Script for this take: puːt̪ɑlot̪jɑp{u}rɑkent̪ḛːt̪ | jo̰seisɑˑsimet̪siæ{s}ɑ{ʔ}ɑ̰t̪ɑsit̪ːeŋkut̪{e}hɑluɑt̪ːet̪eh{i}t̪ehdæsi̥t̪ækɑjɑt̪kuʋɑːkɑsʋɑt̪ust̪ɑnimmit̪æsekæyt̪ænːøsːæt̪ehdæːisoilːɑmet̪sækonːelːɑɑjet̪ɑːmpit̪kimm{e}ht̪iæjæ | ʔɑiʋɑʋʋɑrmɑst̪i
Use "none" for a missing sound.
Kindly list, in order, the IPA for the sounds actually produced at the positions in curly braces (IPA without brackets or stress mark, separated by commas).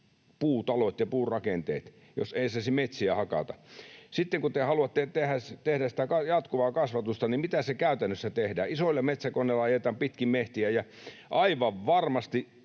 uː, h, k, e, æ, e